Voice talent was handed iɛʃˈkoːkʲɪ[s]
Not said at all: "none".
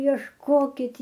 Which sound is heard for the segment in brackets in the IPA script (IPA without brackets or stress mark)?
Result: t